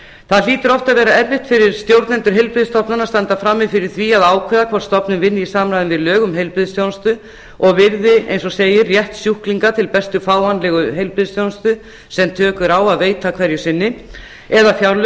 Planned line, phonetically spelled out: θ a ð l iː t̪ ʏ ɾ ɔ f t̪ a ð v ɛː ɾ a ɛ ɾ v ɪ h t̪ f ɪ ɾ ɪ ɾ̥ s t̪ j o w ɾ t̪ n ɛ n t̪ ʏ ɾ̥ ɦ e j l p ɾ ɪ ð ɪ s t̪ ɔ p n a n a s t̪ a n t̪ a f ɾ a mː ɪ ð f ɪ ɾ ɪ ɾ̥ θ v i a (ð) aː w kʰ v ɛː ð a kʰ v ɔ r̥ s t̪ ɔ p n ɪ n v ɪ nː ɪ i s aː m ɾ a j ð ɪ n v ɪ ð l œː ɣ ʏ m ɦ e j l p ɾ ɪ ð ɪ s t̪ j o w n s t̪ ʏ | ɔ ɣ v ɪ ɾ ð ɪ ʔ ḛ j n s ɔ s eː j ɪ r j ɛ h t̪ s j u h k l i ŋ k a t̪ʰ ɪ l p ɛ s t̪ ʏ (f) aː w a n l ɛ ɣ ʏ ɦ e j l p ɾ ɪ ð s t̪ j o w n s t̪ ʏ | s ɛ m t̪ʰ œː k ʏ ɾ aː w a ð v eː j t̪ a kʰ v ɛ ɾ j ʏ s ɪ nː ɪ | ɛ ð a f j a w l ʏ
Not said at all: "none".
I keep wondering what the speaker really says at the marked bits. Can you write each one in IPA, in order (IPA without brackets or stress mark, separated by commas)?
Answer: ð, f